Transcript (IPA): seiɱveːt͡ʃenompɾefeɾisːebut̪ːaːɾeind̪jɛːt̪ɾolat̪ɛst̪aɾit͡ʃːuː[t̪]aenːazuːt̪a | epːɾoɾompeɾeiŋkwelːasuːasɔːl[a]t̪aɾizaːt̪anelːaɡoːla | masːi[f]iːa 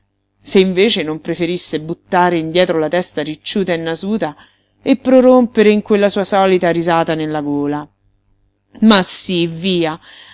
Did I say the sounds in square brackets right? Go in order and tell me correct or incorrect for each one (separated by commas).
correct, incorrect, incorrect